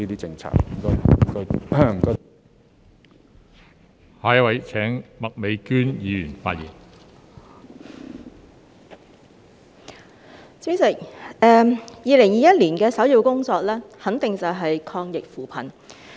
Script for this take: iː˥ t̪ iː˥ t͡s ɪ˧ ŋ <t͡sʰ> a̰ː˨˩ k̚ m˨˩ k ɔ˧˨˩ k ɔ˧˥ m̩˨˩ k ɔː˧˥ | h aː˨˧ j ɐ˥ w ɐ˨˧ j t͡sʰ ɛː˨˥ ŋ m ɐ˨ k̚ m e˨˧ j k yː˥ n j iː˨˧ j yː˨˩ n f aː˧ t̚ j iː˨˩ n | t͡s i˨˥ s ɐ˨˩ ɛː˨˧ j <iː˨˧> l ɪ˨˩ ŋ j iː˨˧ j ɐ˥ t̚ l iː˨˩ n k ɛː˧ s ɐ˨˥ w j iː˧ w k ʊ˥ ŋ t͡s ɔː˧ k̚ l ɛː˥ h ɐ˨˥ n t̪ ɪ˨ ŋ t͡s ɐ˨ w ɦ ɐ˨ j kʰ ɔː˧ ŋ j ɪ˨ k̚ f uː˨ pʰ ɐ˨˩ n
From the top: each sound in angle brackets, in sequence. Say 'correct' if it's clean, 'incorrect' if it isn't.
correct, correct

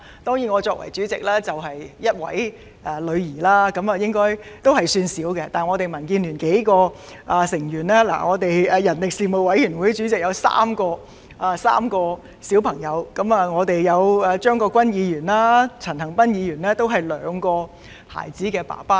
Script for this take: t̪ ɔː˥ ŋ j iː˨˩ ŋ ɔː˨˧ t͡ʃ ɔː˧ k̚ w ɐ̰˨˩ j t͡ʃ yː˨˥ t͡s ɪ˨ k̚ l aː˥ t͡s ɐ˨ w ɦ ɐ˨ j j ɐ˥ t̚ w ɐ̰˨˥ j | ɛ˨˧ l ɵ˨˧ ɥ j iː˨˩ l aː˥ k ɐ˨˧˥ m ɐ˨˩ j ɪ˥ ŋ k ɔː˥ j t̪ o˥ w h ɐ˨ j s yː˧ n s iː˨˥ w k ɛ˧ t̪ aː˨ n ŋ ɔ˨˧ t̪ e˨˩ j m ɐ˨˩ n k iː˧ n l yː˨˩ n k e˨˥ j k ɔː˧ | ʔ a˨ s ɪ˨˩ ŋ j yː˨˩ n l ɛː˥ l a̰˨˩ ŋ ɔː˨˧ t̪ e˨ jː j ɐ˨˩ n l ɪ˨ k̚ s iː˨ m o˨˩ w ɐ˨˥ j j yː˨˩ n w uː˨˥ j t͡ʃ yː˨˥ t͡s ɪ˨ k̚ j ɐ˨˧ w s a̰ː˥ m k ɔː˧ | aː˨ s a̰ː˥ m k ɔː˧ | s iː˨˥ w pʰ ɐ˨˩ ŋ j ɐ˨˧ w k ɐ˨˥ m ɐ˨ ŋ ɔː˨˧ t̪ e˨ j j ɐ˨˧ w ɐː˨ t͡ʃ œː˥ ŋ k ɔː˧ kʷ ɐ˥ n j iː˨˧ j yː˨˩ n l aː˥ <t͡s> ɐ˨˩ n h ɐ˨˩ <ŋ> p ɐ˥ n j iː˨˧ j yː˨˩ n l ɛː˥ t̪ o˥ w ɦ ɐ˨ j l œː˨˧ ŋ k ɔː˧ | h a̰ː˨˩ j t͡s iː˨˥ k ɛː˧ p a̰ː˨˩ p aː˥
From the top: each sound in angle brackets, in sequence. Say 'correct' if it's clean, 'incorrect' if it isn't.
incorrect: t͡sʰ, correct

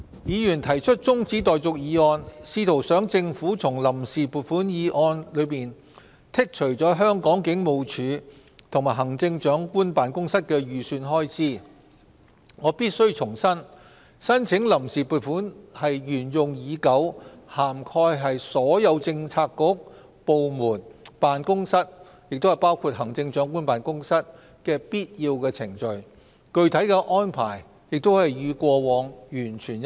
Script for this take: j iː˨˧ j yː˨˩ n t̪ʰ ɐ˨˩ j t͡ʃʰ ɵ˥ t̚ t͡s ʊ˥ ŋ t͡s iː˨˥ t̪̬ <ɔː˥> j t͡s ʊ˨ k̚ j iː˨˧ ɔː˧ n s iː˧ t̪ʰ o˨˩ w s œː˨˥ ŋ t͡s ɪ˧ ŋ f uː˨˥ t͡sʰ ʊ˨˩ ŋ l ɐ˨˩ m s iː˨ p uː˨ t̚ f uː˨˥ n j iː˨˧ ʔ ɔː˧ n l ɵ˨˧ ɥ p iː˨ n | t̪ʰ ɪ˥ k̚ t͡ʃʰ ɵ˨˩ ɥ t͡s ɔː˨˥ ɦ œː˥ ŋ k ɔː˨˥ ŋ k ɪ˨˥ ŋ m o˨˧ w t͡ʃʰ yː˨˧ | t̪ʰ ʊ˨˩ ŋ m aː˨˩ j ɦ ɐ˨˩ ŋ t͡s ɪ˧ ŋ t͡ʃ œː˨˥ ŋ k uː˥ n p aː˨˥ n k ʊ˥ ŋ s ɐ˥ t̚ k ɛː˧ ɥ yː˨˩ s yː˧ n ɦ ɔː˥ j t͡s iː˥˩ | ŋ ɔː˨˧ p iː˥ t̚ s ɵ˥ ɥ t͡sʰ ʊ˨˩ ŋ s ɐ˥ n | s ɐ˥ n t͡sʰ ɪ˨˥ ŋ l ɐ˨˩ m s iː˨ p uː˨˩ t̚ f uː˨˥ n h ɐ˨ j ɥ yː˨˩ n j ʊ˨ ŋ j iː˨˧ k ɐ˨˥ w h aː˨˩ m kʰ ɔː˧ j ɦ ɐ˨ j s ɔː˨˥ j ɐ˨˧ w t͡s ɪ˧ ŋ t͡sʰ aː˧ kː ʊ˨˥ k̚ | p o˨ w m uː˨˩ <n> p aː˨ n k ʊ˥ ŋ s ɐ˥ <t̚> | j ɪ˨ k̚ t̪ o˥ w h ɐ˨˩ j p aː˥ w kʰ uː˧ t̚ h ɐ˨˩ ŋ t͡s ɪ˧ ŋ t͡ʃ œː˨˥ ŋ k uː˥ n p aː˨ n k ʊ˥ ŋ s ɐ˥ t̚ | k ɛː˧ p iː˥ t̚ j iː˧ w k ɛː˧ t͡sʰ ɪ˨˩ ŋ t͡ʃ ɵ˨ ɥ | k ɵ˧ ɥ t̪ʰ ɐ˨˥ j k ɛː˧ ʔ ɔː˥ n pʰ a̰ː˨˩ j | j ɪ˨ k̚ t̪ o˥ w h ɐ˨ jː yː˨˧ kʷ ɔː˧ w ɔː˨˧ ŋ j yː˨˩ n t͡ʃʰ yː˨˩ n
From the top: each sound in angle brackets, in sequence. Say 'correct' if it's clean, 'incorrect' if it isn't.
incorrect: ɔː˨, correct, correct

